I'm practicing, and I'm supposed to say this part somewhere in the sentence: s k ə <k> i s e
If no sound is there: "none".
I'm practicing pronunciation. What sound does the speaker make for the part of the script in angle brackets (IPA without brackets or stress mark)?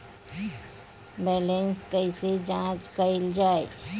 none